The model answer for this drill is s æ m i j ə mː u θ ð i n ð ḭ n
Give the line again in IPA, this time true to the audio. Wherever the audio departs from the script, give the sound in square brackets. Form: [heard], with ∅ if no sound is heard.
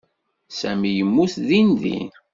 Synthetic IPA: s æ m i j ə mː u θ ð i n ð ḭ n